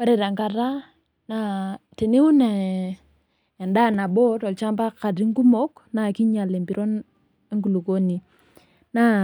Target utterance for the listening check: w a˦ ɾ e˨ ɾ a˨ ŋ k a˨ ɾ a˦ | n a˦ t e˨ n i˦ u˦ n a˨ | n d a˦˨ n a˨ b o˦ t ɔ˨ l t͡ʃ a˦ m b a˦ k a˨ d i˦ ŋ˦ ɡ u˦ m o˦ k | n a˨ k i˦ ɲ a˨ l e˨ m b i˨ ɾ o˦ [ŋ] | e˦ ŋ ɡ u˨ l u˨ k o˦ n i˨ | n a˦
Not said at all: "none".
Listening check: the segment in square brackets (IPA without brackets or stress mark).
n